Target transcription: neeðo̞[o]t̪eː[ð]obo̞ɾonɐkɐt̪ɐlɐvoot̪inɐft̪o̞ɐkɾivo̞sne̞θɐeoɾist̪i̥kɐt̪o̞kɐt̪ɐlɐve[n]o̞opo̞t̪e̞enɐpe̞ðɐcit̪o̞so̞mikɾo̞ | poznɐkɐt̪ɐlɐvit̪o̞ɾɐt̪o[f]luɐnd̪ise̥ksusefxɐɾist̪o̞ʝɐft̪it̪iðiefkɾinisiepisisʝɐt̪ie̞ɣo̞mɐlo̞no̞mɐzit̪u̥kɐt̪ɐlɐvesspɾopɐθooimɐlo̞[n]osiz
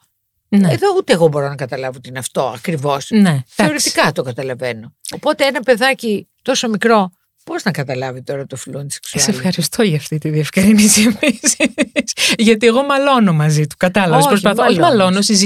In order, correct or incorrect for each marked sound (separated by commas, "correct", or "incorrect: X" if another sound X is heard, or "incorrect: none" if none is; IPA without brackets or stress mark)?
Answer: incorrect: u, incorrect: ɣ, correct, correct, correct